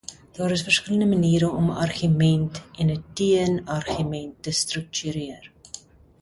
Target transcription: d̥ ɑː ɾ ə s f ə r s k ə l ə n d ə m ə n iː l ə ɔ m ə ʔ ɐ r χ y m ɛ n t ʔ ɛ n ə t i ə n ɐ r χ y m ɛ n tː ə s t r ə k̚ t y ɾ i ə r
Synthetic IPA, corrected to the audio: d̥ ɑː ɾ ə s f ə r s k ə l ə n d ə m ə n iː ɾ ə ɔ m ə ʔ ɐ r χ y m ɛ n t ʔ ɛ n ə t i ə n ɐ r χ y m ɛ n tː ə s t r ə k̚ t y ɾ i ə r